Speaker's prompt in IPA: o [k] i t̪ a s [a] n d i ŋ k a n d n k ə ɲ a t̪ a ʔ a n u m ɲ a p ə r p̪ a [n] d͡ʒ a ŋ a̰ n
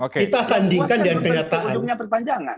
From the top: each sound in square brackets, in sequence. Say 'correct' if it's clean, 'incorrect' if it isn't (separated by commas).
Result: correct, correct, incorrect